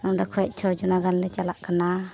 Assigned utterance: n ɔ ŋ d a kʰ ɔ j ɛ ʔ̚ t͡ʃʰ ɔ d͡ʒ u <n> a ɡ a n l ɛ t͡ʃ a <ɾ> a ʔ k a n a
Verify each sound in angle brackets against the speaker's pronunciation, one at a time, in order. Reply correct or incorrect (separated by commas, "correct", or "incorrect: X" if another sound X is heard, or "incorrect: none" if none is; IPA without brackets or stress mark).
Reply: correct, incorrect: l